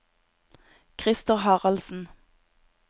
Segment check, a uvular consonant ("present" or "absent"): present